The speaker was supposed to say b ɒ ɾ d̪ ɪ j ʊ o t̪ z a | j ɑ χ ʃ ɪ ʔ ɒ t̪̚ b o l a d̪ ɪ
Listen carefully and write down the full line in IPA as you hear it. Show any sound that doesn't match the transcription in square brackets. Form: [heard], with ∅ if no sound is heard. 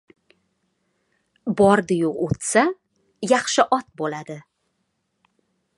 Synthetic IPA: b ɒ ɾ d̪ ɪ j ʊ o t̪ [s] a | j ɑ χ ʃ ɪ ʔ ɒ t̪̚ b o l a d̪ ɪ

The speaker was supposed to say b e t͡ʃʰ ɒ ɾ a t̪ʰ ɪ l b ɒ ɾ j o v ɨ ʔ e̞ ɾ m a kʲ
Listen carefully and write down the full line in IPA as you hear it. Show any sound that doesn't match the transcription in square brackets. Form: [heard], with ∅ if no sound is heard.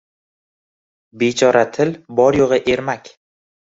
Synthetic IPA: b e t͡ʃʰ ɒ ɾ a t̪ʰ ɪ l b ɒ ɾ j o [ʁ] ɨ ʔ e̞ ɾ m a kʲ

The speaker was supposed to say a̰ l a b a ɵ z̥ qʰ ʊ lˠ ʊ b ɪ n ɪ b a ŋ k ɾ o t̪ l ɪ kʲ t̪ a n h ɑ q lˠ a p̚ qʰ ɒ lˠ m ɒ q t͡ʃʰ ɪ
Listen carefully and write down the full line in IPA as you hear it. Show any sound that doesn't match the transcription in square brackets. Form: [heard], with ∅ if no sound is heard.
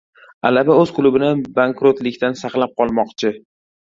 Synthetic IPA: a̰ l a b a ɵ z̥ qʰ ʊ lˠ ʊ b ɪ n ɪ b a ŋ k ɾ o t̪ l ɪ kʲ t̪ a n [s] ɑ q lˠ a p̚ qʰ ɒ lˠ m ɒ q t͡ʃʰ ɪ

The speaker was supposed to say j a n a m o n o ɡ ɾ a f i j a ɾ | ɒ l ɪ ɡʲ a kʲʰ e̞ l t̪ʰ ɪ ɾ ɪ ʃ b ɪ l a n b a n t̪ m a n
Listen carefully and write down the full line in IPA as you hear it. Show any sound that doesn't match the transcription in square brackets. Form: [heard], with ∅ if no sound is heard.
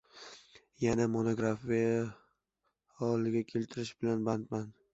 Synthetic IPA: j a n a m o n o ɡ ɾ a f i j a [∅] | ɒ l ɪ ɡʲ a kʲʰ e̞ l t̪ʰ ɪ ɾ ɪ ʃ b ɪ l a n b a n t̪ m a n

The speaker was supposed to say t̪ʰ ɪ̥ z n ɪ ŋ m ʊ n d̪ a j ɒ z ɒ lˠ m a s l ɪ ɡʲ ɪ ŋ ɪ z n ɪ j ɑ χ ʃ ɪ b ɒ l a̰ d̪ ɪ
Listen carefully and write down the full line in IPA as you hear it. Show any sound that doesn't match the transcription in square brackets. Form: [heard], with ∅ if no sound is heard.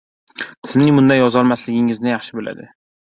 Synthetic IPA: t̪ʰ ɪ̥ z n ɪ ŋ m ʊ n d̪ a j ɒ z ɒ lˠ m a s l ɪ ɡʲ ɪ ŋ ɪ z n ɪ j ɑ χ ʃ ɪ b [o] l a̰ d̪ ɪ

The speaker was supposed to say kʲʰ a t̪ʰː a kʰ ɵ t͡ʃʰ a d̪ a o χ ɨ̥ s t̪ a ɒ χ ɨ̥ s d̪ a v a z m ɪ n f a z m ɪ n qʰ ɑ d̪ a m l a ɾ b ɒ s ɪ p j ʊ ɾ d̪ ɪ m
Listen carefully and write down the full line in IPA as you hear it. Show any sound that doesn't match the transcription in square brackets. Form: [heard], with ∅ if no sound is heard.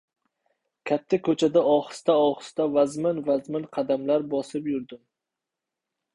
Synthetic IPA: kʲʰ a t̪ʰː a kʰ ɵ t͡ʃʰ a d̪ a [ɒ] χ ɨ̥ s t̪ a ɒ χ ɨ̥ s [t̪] a v a z m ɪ n [v] a z m ɪ n qʰ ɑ d̪ a m l a ɾ b ɒ s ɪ p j ʊ ɾ d̪ ɪ m

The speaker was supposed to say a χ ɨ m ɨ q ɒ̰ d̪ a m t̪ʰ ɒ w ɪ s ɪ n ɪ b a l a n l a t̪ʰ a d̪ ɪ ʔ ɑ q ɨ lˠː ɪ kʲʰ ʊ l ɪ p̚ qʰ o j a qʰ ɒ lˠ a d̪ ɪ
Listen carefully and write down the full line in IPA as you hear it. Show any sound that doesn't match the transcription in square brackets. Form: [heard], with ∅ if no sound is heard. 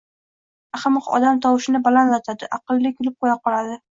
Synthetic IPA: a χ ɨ m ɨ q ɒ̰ d̪ a m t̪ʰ ɒ w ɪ [ʃ] ɪ n ɪ b a l a n l a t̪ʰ a d̪ ɪ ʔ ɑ q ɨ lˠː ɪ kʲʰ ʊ l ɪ p̚ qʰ o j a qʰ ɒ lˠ a d̪ ɪ

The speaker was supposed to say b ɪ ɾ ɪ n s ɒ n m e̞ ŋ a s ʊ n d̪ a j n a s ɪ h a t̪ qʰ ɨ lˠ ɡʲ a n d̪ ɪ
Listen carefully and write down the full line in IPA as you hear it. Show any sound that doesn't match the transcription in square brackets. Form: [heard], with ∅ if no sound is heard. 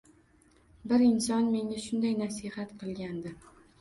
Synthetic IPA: b ɪ ɾ ɪ n s ɒ n m e̞ ŋ a [ʃ] ʊ n d̪ a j n a s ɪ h a t̪ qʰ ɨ lˠ ɡʲ a n d̪ ɪ

